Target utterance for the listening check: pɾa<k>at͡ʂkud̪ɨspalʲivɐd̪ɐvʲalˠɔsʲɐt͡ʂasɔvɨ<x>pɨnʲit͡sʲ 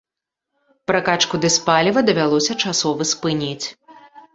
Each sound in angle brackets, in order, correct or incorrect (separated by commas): correct, incorrect